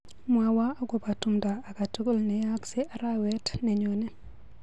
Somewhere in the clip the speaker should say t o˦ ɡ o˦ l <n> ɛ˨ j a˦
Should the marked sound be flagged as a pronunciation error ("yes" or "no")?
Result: no